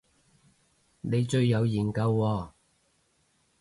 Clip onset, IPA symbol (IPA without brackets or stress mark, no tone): n